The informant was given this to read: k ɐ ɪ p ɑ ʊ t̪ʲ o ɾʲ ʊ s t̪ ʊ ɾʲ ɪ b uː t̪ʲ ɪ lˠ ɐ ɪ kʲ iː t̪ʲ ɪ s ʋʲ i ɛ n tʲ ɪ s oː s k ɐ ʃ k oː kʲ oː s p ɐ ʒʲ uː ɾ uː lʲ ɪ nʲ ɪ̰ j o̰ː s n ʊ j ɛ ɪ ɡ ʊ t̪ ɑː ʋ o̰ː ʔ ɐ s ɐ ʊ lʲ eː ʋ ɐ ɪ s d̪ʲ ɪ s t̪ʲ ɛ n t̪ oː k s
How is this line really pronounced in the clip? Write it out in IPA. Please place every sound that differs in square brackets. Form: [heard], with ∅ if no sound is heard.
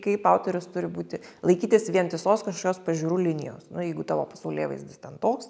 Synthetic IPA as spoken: k ɐ ɪ p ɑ ʊ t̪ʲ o ɾʲ ʊ s t̪ ʊ ɾʲ ɪ b uː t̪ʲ ɪ lˠ ɐ ɪ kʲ iː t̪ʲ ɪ s ʋʲ i ɛ n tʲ ɪ s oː s k ɐ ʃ k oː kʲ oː s p ɐ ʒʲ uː ɾ uː lʲ ɪ nʲ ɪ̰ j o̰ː s n ʊ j ɛ ɪ ɡ ʊ t̪ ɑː ʋ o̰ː [p] ɐ s ɐ ʊ lʲ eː ʋ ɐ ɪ s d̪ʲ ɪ s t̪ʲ ɛ n t̪ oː k s

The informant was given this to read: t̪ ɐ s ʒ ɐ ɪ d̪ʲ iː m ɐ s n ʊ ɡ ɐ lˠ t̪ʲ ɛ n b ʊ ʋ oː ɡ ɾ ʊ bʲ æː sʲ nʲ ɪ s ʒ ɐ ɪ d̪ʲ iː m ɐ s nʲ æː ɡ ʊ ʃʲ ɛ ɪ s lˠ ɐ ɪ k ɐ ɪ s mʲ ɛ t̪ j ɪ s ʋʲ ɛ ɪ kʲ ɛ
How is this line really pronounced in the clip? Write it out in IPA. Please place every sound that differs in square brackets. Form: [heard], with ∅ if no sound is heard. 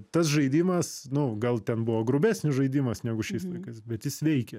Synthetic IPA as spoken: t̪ ɐ s ʒ ɐ ɪ d̪ʲ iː m ɐ s n ʊ ɡ ɐ lˠ t̪ʲ ɛ n b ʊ ʋ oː ɡ ɾ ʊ bʲ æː sʲ nʲ ɪ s ʒ ɐ ɪ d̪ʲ iː m ɐ s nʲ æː ɡ ʊ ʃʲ ɛ ɪ s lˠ ɐ ɪ k ɐ ɪ s [bʲ] ɛ t̪ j ɪ s ʋʲ ɛ ɪ kʲ ɛ

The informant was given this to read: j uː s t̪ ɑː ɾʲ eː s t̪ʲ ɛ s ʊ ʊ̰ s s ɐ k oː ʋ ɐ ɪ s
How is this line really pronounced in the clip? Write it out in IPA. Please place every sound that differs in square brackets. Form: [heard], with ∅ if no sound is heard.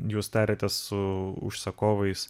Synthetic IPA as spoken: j uː s t̪ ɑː ɾʲ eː [∅] t̪ʲ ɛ s ʊ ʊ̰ [ʃ] s ɐ k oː ʋ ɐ ɪ s

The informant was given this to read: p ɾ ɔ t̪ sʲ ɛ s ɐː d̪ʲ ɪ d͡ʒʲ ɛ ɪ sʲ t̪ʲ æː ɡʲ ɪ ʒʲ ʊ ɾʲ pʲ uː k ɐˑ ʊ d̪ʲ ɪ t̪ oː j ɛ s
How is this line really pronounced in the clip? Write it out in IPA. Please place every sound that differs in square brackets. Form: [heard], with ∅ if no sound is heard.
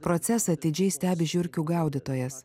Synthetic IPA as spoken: p ɾ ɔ t̪ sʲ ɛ s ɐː [t̪ʲ] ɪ d͡ʒʲ ɛ ɪ sʲ t̪ʲ æː [bʲ] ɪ ʒʲ ʊ ɾʲ [kʲ] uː [ɡ] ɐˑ ʊ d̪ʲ ɪ t̪ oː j ɛ s

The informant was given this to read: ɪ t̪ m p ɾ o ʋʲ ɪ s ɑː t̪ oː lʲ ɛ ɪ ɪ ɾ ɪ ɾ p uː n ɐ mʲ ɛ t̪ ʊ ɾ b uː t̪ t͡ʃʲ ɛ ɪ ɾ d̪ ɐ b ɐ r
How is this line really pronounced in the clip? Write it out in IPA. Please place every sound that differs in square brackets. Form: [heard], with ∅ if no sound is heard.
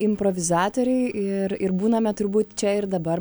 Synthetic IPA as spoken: ɪ [∅] m p ɾ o ʋʲ ɪ [z] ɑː t̪ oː [ɾʲ] ɛ ɪ ɪ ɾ ɪ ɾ [b] uː n ɐ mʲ ɛ t̪ ʊ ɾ b uː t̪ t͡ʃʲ ɛ ɪ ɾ d̪ ɐ b ɐ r

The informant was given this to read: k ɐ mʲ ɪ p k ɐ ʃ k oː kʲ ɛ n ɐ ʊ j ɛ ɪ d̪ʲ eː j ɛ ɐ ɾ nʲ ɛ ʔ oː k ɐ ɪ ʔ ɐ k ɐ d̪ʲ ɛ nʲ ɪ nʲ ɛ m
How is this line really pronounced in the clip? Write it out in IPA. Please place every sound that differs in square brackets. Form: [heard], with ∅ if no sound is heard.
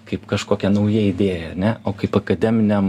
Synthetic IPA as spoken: k ɐ [∅] ɪ p k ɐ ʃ k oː kʲ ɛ n ɐ ʊ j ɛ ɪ d̪ʲ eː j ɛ ɐ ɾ nʲ ɛ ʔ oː k ɐ ɪ [p] ɐ k ɐ d̪ʲ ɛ [mʲ] ɪ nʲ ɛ m

